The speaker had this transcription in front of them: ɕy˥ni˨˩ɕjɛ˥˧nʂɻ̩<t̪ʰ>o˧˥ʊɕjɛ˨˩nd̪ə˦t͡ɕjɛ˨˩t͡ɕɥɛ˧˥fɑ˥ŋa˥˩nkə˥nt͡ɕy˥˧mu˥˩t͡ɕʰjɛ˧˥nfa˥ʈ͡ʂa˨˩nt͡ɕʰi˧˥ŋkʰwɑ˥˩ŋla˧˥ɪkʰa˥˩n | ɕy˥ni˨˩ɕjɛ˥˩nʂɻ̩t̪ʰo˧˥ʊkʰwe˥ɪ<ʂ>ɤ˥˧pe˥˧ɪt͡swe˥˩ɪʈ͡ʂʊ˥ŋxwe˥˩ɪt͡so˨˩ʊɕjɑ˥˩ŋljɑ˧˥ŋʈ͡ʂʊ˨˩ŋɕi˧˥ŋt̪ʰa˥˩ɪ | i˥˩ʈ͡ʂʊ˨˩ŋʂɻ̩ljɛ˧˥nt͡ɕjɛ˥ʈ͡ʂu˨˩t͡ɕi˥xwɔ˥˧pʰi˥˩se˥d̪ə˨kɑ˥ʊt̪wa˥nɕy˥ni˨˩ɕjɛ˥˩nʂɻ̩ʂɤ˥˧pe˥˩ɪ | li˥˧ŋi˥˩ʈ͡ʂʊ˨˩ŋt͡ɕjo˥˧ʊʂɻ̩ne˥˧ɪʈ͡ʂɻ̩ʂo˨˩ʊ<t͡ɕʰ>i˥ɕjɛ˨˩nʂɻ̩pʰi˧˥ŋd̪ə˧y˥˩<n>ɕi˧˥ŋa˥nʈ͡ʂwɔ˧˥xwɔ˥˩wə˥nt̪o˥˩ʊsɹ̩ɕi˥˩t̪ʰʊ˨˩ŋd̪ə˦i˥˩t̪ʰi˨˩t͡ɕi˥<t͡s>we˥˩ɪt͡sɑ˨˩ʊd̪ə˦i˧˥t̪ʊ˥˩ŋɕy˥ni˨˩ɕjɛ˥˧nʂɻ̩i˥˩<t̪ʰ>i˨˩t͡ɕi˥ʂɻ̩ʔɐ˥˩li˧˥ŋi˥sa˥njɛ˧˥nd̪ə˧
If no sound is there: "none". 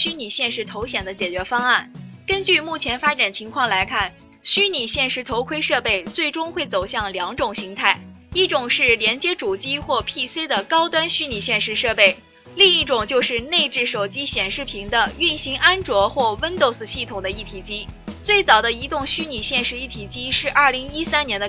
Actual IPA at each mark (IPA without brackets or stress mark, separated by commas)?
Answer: t̪ʰ, ʂ, t͡ɕ, n, t͡s, t̪ʰ